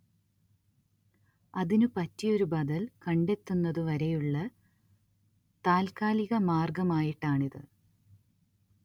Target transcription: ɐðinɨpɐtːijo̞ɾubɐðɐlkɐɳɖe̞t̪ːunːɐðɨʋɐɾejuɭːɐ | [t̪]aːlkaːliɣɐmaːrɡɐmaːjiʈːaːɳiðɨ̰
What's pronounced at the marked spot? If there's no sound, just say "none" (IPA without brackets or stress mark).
t̪